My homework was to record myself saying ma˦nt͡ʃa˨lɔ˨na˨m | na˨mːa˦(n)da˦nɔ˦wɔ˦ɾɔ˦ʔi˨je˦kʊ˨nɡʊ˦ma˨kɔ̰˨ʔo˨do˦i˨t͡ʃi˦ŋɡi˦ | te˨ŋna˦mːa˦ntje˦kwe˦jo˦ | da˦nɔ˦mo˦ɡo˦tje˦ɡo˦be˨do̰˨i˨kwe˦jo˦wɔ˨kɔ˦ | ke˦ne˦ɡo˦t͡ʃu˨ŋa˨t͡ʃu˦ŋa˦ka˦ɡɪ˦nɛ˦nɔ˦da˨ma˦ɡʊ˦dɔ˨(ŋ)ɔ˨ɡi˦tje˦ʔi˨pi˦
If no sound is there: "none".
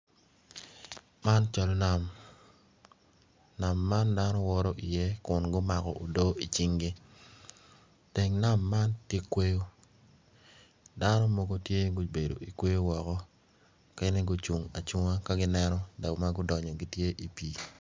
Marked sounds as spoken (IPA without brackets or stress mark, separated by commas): n, ɲ